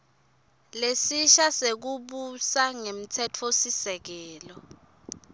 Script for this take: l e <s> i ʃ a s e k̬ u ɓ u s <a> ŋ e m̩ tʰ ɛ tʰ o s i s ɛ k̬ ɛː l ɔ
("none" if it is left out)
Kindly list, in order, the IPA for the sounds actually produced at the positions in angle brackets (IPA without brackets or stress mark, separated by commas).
s, a